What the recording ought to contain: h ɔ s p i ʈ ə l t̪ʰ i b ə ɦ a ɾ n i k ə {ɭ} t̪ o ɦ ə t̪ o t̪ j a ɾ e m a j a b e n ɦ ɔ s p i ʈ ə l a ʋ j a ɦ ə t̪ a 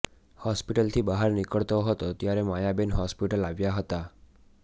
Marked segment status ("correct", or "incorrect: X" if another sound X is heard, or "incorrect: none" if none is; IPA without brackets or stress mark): correct